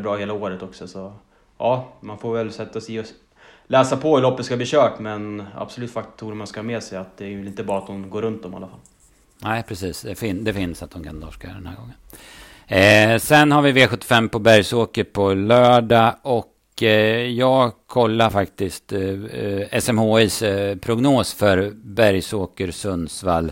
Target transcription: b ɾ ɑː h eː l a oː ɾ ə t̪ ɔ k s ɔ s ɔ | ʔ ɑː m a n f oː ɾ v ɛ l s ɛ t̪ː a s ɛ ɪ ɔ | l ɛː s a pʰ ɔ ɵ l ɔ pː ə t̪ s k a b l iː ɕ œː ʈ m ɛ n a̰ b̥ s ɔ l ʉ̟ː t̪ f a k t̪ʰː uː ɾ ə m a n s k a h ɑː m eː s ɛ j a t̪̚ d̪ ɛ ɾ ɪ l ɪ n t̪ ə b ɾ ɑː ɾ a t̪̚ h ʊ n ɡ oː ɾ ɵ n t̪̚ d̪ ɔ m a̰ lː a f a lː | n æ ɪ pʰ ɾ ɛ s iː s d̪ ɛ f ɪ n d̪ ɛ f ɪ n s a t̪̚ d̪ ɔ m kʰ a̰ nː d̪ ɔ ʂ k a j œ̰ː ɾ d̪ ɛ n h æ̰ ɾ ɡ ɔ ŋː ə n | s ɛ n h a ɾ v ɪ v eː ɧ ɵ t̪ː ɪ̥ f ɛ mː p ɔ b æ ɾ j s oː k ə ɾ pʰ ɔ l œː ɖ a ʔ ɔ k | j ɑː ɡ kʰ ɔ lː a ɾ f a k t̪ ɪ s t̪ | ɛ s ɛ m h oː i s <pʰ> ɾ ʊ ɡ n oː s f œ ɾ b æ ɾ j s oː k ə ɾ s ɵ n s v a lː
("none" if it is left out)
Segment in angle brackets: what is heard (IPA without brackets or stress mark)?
pʰ